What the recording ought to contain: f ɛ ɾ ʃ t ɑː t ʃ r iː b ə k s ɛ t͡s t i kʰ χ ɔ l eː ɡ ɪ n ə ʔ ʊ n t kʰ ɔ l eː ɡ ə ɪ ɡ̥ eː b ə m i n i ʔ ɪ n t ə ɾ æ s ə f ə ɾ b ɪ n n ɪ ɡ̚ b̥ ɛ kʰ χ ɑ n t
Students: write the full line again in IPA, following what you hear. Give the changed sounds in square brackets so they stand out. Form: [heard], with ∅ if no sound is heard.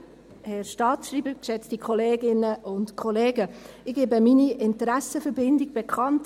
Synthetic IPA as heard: [h] ɛ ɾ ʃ t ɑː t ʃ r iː b ə k [ʃ] ɛ t͡s t i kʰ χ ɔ l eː ɡ ɪ n ə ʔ ʊ n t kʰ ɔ l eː ɡ ə ɪ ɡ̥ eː b ə m i n i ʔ ɪ n t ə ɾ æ s ə f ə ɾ b ɪ n [d] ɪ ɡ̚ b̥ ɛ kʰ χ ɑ n t